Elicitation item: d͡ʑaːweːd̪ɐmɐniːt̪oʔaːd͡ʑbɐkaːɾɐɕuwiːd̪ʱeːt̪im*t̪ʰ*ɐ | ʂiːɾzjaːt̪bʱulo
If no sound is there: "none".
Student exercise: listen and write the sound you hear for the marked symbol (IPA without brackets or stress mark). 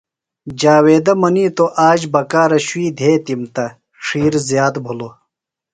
t̪